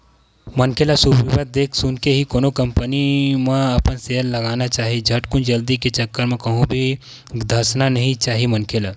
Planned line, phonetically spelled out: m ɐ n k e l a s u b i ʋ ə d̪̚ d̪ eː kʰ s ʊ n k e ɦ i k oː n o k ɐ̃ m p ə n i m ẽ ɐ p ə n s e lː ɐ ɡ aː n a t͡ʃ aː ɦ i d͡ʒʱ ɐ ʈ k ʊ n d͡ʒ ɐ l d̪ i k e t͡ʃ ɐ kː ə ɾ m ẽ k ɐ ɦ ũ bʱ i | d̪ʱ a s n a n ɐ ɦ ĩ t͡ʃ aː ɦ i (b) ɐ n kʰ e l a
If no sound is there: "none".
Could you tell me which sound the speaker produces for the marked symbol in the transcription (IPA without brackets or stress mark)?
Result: m